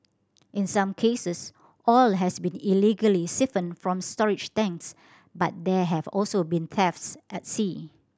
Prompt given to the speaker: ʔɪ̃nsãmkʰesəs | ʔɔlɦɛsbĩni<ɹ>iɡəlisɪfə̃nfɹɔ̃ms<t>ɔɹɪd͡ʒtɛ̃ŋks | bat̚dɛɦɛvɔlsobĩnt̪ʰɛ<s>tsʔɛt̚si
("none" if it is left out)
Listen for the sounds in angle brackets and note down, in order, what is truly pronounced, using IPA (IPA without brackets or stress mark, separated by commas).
l, t, f